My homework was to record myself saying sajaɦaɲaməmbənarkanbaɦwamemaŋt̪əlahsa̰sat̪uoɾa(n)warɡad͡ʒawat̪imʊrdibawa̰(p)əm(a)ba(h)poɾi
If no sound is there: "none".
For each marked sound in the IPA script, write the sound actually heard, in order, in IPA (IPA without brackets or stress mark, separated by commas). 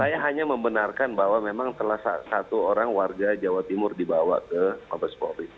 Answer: ŋ, k, a, s